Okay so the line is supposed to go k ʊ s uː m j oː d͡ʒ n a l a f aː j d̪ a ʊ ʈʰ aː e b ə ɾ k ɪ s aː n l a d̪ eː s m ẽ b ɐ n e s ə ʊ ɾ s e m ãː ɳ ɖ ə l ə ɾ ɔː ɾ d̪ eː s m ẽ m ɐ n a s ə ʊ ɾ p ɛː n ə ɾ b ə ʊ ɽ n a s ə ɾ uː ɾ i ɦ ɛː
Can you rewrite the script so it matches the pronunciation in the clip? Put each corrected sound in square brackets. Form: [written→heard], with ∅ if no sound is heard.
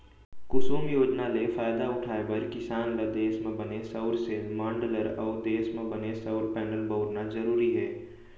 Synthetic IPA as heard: k ʊ s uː m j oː d͡ʒ n a l [a→e] f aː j d̪ a ʊ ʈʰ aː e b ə ɾ k ɪ s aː n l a d̪ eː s m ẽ b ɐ n e s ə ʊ ɾ s e m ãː ɳ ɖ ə l ə ɾ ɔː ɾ d̪ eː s m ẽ [m→b] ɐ n [a→e] s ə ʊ ɾ p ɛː n ə [ɾ→l] b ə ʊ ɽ n a [s→z] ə ɾ uː ɾ i ɦ ɛː